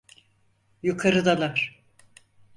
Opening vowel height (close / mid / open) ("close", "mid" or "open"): close